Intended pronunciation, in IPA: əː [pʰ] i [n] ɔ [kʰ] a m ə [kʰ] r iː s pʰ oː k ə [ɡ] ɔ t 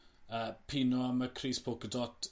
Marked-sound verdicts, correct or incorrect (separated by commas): correct, correct, incorrect, correct, incorrect